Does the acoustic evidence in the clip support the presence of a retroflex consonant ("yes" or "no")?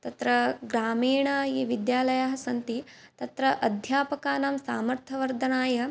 yes